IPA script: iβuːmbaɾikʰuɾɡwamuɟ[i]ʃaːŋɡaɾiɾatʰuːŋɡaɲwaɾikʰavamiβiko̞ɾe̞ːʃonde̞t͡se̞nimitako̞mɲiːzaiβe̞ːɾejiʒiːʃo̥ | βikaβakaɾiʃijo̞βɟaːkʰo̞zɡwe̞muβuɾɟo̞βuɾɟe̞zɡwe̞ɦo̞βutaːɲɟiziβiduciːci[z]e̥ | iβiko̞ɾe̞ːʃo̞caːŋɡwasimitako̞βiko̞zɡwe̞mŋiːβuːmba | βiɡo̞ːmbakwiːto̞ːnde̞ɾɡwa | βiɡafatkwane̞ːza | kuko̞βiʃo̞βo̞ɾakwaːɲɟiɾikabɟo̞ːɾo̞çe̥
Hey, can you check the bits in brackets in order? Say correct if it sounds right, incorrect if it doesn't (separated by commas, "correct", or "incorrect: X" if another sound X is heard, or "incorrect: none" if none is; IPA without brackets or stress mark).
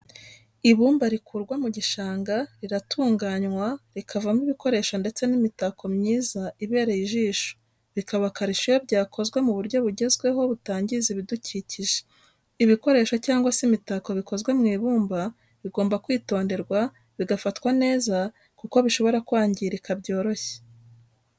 correct, incorrect: ʒ